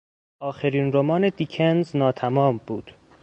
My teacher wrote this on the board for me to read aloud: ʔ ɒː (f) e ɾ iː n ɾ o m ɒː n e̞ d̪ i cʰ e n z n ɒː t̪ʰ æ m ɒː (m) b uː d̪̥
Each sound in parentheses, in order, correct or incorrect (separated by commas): incorrect, correct